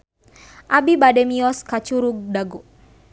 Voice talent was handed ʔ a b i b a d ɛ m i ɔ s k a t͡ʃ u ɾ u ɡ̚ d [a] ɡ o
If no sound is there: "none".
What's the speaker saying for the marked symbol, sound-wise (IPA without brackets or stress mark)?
a